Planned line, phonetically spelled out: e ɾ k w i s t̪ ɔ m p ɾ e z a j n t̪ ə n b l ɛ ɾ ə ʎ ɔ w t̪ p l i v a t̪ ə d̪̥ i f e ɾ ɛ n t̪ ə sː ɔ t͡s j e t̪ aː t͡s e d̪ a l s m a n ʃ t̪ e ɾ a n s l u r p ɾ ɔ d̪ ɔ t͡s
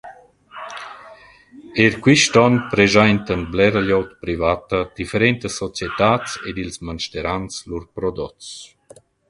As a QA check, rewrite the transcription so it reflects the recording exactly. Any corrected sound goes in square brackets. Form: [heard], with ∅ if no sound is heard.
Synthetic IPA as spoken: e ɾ k w i [ʃ] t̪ ɔ [n] p ɾ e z a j n t̪ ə n b l ɛ ɾ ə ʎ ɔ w t̪ p [ɾ] i v a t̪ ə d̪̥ i f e ɾ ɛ n t̪ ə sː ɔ t͡s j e t̪ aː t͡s e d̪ [i] l s m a n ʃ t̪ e ɾ a n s l u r p ɾ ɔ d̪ ɔ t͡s